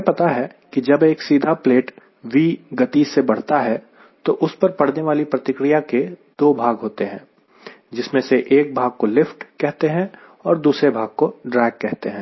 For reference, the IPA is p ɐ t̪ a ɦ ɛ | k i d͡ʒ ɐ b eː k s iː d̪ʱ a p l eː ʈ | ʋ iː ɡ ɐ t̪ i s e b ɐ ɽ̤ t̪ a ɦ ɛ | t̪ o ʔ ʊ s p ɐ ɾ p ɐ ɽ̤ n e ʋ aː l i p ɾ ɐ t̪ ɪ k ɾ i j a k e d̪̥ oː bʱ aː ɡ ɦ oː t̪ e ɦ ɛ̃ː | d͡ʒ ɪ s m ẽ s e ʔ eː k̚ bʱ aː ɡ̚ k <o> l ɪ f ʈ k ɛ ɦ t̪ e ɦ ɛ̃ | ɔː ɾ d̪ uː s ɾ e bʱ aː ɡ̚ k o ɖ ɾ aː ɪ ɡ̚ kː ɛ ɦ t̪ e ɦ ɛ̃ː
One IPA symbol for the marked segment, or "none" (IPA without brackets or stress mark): o